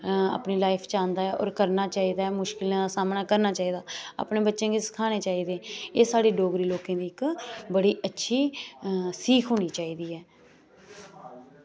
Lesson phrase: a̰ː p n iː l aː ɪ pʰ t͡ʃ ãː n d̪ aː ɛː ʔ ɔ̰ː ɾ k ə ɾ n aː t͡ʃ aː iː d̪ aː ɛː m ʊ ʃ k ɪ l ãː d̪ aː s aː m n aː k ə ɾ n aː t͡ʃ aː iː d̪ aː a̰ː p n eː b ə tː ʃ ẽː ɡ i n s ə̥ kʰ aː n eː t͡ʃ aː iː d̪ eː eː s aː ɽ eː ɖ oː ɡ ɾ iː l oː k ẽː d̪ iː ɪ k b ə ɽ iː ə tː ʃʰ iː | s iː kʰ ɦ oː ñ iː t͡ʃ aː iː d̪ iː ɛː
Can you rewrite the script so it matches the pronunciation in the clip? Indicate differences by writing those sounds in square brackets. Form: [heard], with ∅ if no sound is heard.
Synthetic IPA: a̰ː p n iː l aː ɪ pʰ t͡ʃ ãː n d̪ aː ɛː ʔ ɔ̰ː ɾ k ə ɾ n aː t͡ʃ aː iː d̪ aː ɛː m ʊ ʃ k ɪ l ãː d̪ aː s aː m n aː k ə ɾ n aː t͡ʃ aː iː d̪ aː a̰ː p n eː b ə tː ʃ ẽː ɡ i [∅] s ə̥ kʰ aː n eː t͡ʃ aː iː d̪ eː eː s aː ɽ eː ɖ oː ɡ ɾ iː l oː k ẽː d̪ iː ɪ k b ə ɽ iː ə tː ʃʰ iː | s iː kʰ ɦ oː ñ iː t͡ʃ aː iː d̪ iː ɛː

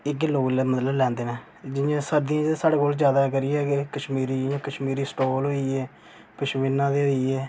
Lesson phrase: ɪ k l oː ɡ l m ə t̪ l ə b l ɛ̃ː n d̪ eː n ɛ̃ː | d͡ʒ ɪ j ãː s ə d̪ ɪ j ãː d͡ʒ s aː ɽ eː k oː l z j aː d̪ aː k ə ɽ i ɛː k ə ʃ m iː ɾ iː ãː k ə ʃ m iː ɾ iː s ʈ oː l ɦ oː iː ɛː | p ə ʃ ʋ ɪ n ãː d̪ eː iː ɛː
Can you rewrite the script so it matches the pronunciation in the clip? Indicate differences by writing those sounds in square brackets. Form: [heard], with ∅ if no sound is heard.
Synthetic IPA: ɪ k l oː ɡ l m ə t̪ l ə b l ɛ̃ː n d̪ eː n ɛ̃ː | d͡ʒ ɪ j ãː s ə d̪ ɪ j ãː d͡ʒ s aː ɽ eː k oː l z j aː d̪ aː k ə [ɾ] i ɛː k ə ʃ m iː ɾ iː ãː k ə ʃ m iː ɾ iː s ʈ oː l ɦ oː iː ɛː | p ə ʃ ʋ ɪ n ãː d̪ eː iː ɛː

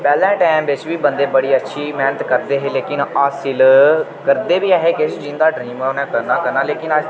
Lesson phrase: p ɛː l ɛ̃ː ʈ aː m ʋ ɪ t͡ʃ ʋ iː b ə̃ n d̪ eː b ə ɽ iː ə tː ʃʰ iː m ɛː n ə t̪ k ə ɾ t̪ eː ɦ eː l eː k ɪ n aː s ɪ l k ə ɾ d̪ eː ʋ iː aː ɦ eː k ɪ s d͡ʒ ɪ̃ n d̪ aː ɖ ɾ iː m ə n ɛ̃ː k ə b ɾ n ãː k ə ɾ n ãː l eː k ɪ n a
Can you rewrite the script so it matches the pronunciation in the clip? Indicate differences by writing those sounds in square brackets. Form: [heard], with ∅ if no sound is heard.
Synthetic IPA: p ɛː l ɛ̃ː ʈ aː m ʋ ɪ t͡ʃ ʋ iː b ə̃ n d̪ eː b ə ɽ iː ə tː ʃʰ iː m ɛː n ə t̪ k ə ɾ [d̪] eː ɦ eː l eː k ɪ n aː s ɪ l k ə ɾ d̪ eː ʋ iː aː ɦ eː k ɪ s d͡ʒ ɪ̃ n d̪ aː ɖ ɾ iː m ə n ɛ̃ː k ə [∅] ɾ n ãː k ə ɾ n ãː l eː k ɪ n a

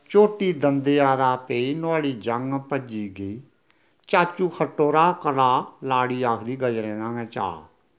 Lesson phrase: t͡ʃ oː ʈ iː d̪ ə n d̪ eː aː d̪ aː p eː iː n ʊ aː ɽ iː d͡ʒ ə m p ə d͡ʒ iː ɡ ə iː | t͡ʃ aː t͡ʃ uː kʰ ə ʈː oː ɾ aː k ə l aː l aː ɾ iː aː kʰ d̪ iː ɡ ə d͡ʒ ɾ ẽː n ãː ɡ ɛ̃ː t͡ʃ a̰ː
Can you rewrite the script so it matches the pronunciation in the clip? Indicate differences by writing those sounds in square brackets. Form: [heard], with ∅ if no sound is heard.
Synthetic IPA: t͡ʃ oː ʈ iː d̪ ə n d̪ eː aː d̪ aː p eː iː n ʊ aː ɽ iː d͡ʒ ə [ŋ] p ə d͡ʒ iː ɡ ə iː | t͡ʃ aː t͡ʃ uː kʰ ə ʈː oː ɾ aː k ə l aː l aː [ɽ] iː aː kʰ d̪ iː ɡ ə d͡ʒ ɾ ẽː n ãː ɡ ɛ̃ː t͡ʃ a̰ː

